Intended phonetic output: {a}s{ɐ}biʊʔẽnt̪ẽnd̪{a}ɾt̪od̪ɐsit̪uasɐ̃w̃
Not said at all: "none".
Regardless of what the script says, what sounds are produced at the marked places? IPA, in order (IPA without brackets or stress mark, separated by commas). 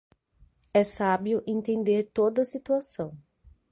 ɛ, a, e